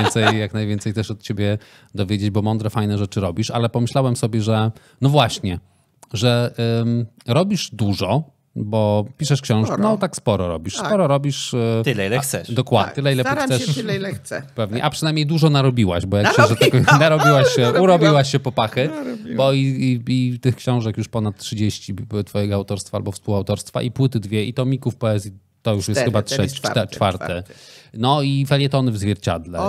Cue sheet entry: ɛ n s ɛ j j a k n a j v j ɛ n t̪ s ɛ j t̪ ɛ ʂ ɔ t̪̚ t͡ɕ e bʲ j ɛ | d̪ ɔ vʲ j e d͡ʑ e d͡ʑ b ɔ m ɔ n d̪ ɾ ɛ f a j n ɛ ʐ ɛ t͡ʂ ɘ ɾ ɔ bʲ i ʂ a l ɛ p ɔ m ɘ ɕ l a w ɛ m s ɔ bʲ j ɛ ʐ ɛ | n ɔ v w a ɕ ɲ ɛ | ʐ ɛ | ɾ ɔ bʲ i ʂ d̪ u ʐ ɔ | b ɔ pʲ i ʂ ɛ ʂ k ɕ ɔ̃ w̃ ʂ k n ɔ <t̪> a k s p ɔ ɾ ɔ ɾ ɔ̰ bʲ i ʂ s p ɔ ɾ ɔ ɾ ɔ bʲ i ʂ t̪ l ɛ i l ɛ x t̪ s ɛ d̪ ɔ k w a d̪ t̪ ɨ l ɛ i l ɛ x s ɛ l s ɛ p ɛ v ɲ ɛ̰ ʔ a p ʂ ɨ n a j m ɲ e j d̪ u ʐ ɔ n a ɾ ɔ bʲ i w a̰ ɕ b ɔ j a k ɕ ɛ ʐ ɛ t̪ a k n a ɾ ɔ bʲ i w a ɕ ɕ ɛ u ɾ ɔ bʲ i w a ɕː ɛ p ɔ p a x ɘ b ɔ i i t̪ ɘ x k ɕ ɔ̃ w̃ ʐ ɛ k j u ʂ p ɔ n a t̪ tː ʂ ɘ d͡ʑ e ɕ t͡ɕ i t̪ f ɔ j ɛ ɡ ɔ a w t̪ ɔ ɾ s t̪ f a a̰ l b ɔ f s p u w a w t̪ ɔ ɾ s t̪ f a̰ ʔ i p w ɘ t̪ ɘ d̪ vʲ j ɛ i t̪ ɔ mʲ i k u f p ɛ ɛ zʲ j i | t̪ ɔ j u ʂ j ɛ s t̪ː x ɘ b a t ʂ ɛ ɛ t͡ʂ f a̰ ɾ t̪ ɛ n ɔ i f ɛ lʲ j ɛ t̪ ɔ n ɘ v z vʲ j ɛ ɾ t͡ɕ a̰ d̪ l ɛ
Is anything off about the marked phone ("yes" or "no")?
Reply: no